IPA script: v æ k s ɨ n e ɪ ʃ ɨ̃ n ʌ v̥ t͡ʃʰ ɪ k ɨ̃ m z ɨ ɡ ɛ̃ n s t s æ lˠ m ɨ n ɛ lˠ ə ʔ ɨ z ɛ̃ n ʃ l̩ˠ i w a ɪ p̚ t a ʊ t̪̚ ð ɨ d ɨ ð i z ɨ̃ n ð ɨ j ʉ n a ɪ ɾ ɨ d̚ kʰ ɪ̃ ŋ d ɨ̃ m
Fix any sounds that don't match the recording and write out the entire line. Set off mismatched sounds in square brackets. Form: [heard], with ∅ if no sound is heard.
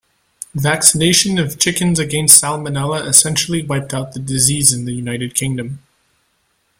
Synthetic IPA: v æ k s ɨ n e ɪ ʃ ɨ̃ n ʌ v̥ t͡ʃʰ ɪ k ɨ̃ [n] z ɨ ɡ ɛ̃ n s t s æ lˠ m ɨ n ɛ lˠ ə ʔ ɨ [s] ɛ̃ n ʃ l̩ˠ i w a ɪ p̚ t a ʊ t̪̚ ð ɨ d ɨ [z] i z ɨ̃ n ð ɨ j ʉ n a ɪ ɾ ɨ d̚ kʰ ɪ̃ ŋ d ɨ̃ m